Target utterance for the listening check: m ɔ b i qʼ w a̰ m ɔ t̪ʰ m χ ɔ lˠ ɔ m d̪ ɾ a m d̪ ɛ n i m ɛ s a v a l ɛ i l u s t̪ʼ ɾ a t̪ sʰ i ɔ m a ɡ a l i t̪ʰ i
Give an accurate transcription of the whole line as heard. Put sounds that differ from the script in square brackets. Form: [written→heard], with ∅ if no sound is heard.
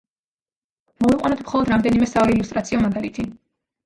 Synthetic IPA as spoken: m ɔ [b→v] i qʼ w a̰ [m→n] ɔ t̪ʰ m χ ɔ lˠ ɔ [m→∅] d̪ ɾ a m d̪ ɛ n i m ɛ s a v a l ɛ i l u s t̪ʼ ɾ a t̪ sʰ i ɔ m a ɡ a l i t̪ʰ i